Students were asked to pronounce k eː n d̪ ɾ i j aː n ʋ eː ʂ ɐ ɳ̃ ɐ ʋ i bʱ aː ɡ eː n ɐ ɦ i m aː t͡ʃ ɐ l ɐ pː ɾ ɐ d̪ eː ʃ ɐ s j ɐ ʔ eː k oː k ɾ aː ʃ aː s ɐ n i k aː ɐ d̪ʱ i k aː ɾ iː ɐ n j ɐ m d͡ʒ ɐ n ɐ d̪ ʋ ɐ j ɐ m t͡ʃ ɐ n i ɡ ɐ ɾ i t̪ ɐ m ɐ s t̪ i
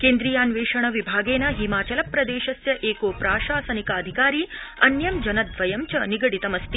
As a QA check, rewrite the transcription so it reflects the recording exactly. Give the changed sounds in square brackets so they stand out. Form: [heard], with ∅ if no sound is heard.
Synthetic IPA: k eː n d̪ ɾ i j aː n ʋ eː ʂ ɐ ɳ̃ ɐ ʋ i bʱ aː ɡ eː n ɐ ɦ i m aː t͡ʃ ɐ l ɐ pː ɾ ɐ d̪ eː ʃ ɐ s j ɐ ʔ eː k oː [p] ɾ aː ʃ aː s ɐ n i k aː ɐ d̪ʱ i k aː ɾ iː ɐ n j ɐ m d͡ʒ ɐ n ɐ d̪ ʋ ɐ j ɐ m t͡ʃ ɐ n i ɡ ɐ [ɽ] i t̪ ɐ m ɐ s t̪ i